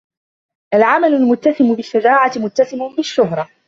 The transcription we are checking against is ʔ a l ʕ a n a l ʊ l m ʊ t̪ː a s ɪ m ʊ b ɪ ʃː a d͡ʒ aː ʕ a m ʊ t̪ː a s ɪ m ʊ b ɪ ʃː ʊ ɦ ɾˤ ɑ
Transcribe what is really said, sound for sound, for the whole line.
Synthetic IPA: ʔ a l ʕ a m a l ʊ l m ʊ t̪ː a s ɪ m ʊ b ɪ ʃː a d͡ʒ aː ʕ a m ʊ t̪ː a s ɪ m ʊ b ɪ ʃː ʊ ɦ ɾˤ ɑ